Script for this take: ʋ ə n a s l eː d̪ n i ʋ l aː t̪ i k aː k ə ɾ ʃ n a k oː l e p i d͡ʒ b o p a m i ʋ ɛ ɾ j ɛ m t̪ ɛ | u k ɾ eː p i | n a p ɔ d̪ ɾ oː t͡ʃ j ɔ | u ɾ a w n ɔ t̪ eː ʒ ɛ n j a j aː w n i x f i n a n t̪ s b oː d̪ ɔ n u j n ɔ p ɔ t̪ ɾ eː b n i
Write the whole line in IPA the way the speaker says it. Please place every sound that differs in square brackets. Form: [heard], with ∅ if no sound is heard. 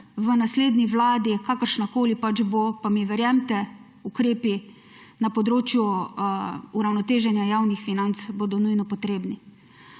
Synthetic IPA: ʋ ə n a s l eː d̪ n i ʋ l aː [d̪] i k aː k ə ɾ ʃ n a k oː l [i] p [a] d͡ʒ b o p a m i ʋ ɛ ɾ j ɛ m t̪ ɛ | u k ɾ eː p i | n a p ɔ d̪ ɾ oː t͡ʃ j [u] | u ɾ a w n ɔ t̪ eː ʒ ɛ n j a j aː w n i x f i n a n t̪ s b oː d̪ ɔ n u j n ɔ p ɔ t̪ ɾ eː b n i